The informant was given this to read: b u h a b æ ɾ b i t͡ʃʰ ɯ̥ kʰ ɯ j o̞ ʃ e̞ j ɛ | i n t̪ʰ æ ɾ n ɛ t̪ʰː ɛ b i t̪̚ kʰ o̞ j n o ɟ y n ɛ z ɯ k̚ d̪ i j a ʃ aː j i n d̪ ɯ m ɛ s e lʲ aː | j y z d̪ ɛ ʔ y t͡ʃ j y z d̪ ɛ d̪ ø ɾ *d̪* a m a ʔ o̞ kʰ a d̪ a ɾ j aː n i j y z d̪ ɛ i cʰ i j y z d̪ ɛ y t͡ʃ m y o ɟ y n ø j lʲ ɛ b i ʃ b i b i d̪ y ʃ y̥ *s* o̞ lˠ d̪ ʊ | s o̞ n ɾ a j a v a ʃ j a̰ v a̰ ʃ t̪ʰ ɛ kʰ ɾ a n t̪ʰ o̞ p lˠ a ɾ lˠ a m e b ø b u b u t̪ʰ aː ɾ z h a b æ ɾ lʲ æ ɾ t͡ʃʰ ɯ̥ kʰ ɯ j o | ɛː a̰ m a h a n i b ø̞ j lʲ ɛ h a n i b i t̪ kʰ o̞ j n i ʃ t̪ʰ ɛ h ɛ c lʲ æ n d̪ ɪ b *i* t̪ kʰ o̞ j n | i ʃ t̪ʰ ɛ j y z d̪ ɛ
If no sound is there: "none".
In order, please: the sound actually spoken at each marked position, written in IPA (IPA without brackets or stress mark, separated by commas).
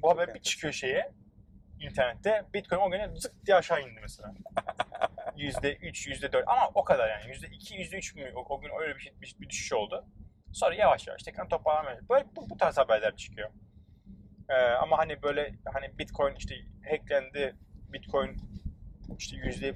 t̪, ʃ, i